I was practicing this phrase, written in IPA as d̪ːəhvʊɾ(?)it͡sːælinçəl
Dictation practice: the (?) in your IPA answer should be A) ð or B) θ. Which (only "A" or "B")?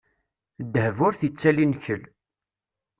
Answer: B